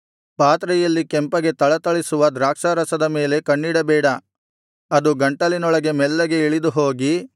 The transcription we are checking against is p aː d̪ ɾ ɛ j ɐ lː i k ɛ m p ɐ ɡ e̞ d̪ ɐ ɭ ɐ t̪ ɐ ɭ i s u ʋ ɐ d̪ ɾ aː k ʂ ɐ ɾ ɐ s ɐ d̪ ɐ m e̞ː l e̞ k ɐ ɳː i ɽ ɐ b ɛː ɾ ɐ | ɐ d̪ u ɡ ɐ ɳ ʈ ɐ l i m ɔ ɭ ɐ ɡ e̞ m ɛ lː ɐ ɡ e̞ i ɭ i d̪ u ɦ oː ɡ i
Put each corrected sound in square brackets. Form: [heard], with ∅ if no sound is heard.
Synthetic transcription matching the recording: p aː [t̪] ɾ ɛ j ɐ lː i k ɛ m p ɐ ɡ e̞ [t̪] ɐ ɭ ɐ t̪ ɐ ɭ i s u ʋ ɐ d̪ ɾ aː k ʂ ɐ ɾ ɐ s ɐ d̪ ɐ m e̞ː l e̞ k ɐ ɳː i ɽ ɐ b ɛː [ɽ] ɐ | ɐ d̪ u ɡ ɐ ɳ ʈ ɐ l i [n] ɔ ɭ ɐ ɡ e̞ m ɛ lː ɐ ɡ e̞ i ɭ i d̪ u ɦ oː ɡ i